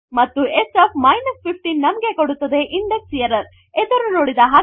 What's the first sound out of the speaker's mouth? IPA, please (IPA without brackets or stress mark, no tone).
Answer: m